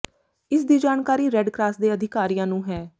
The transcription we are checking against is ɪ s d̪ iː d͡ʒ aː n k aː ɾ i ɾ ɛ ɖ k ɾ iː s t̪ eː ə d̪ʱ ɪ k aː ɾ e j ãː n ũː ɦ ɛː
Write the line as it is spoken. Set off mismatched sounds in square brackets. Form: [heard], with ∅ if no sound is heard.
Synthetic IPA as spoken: ɪ s d̪ iː d͡ʒ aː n k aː ɾ [iː] ɾ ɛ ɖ k ɾ [aː] s [d̪] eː ə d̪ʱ ɪ k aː ɾ [i] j ãː n ũː ɦ ɛː